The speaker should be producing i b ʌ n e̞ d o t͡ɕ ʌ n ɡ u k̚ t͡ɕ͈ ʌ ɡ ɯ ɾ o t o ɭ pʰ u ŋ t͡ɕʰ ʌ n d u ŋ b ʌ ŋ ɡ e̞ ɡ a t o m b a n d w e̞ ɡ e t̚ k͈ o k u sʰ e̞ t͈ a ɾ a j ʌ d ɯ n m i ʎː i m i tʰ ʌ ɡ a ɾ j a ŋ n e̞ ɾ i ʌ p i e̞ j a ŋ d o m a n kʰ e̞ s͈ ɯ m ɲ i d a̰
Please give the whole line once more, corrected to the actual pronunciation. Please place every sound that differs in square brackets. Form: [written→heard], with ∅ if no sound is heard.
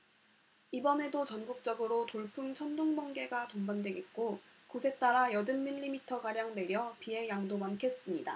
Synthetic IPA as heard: i b ʌ n e̞ d o t͡ɕ ʌ n ɡ u k̚ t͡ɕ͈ ʌ ɡ ɯ ɾ o t o ɭ pʰ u ŋ t͡ɕʰ ʌ n d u ŋ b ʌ ŋ ɡ e̞ ɡ a t o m b a n d w e̞ ɡ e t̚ k͈ o k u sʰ e̞ t͈ a ɾ a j ʌ d ɯ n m i ʎː i m i tʰ ʌ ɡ a ɾ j a ŋ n e̞ ɾ [i→j] ʌ p i e̞ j a ŋ d o m a n kʰ e̞ s͈ ɯ m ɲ i d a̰